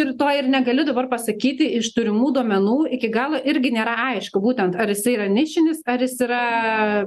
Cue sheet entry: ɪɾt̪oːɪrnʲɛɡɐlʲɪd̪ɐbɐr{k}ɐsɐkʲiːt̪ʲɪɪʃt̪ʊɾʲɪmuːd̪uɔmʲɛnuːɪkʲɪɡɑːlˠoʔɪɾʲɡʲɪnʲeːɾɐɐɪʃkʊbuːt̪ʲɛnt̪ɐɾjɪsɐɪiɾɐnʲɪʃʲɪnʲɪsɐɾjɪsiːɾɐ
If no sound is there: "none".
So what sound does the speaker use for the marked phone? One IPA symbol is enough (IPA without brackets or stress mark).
p